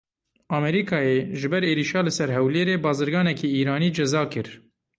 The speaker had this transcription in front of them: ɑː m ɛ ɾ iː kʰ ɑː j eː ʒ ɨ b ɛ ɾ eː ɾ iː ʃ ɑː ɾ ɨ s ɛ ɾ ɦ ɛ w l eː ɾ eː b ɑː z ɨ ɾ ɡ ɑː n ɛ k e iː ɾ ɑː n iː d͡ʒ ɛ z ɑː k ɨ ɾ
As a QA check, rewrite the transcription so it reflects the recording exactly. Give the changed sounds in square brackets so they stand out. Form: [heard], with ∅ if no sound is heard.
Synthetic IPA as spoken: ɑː m ɛ ɾ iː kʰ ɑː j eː ʒ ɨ b ɛ ɾ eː ɾ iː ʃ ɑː [l] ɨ s ɛ ɾ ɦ ɛ w l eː ɾ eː b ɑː z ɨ ɾ ɡ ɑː n ɛ k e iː ɾ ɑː n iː d͡ʒ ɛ z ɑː k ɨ ɾ